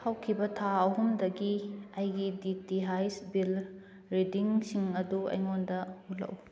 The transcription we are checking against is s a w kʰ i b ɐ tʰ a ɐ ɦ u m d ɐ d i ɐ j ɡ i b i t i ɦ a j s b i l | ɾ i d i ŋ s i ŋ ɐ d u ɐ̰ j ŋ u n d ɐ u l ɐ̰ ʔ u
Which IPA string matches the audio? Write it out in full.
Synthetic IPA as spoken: h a w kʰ i b ɐ tʰ a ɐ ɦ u m d ɐ ɡ i ɐ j ɡ i d i t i ɦ a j s b i l | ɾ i d i ŋ s i ŋ ɐ d u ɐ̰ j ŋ o n d ɐ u l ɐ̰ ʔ u